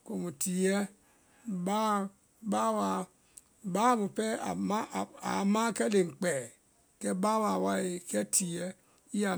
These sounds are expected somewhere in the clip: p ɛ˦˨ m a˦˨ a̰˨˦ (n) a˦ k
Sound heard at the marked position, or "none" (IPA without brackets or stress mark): m